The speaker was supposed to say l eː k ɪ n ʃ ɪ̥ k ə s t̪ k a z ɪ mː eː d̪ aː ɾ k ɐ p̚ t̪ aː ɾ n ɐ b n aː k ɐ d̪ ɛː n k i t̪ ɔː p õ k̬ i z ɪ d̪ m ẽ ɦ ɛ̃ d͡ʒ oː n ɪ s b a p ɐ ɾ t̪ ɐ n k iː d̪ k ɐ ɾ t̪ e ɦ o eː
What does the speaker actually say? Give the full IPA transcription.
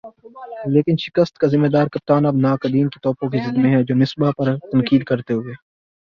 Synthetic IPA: l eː k ɪ n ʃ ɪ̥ k ə s t̪ k a z ɪ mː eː d̪ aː ɾ k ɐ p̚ t̪ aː n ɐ b n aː k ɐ d̪ iː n k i t̪ ɔː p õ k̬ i z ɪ d̪ m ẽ ɦ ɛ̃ d͡ʒ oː n ɪ s b a p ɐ ɾ t̪ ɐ n k iː d̪ k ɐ ɾ t̪ e ɦ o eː